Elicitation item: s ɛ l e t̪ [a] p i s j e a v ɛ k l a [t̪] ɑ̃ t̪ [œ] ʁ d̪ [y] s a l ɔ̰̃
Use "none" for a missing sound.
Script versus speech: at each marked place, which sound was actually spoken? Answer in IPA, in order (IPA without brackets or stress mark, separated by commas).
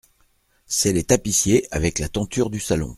a, t̪, y, y